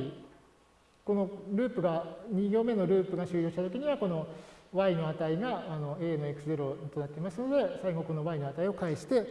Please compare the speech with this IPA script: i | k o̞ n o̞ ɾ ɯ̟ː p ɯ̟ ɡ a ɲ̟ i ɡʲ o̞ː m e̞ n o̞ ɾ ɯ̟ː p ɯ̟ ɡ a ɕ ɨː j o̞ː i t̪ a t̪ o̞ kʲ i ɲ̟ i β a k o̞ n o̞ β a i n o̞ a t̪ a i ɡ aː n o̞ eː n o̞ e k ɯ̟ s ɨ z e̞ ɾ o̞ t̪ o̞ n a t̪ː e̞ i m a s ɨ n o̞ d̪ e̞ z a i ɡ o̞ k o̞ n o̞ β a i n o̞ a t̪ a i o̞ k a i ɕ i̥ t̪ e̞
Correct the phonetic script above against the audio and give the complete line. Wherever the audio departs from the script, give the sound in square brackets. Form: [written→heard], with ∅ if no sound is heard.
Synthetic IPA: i | k o̞ n o̞ ɾ ɯ̟ː p ɯ̟ ɡ a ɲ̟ i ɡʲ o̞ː m e̞ n o̞ ɾ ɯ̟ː p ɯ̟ ɡ a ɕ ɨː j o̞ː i t̪ a t̪ o̞ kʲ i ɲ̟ i β a k o̞ n o̞ β a i n o̞ a t̪ a i ɡ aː n o̞ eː n o̞ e k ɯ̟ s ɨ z e̞ ɾ o̞ t̪ o̞ n a t̪ː e̞ i m a s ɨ n o̞ d̪ e̞ [z→s] a i ɡ o̞ k o̞ n o̞ β a i n o̞ a t̪ a i o̞ k a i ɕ i̥ t̪ e̞